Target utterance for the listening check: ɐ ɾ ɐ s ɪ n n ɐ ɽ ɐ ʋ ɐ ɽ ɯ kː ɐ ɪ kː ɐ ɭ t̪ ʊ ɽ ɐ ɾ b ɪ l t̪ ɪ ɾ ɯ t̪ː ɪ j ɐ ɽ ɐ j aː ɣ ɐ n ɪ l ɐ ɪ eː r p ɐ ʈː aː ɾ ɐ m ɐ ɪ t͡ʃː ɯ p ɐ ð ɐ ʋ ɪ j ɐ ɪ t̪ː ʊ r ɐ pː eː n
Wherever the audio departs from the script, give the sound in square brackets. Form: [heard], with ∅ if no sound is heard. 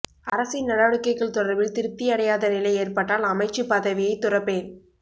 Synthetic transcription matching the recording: ɐ ɾ ɐ s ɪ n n ɐ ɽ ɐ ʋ ɐ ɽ ɯ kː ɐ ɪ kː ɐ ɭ t̪ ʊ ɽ ɐ ɾ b ɪ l t̪ ɪ ɾ ɯ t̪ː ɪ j ɐ ɽ ɐ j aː [ð] ɐ n ɪ l ɐ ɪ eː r p ɐ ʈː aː [l] ɐ m ɐ ɪ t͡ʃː ɯ p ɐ ð ɐ ʋ ɪ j ɐ ɪ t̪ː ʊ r ɐ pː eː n